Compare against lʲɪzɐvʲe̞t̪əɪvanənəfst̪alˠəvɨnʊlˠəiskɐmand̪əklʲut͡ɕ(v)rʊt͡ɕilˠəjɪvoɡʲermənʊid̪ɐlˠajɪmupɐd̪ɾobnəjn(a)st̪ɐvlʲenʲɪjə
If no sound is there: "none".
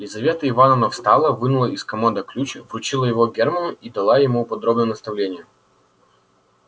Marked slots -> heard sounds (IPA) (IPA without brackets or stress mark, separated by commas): v, ə